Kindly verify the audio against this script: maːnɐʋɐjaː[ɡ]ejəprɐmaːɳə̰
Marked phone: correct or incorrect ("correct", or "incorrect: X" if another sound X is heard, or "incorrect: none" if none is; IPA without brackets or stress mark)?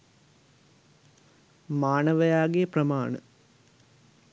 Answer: correct